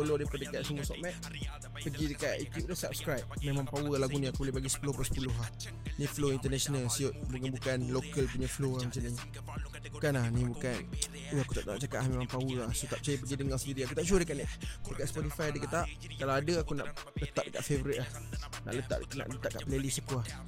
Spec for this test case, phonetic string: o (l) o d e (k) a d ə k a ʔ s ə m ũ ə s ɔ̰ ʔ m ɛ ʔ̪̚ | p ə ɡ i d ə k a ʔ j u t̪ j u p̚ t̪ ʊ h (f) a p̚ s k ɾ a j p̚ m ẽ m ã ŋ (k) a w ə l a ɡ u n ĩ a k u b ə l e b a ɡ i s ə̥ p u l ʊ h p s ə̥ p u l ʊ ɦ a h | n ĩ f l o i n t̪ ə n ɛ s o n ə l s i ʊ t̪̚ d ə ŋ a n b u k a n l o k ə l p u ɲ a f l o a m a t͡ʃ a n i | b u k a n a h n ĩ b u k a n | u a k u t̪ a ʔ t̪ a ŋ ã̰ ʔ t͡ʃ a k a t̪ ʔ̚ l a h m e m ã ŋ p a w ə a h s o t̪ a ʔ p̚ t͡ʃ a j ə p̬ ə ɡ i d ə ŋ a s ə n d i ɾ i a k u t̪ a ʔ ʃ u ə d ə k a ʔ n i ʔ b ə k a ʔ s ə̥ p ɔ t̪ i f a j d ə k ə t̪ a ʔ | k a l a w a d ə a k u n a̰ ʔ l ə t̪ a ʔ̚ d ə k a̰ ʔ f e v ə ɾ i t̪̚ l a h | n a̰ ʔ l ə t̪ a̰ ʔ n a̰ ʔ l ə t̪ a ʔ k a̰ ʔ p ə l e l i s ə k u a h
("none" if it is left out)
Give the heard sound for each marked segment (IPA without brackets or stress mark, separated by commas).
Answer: l, p, s, p